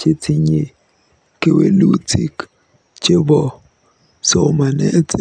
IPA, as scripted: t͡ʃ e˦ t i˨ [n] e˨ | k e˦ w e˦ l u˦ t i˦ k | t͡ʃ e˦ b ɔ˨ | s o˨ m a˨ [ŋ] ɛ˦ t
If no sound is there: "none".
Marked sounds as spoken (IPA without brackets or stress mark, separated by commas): ɲ, n